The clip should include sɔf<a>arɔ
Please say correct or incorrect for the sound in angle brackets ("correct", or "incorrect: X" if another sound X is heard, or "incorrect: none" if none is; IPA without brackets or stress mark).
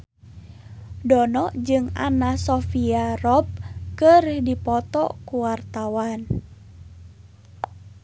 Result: incorrect: i